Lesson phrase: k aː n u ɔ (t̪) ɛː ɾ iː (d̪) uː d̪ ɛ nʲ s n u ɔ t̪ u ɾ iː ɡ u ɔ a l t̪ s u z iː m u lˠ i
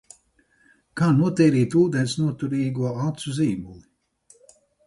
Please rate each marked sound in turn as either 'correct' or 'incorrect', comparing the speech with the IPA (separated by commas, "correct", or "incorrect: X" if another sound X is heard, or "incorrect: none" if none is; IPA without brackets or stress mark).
correct, incorrect: t̪